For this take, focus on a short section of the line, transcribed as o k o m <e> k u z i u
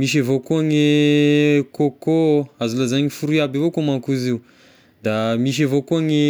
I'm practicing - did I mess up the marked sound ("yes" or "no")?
yes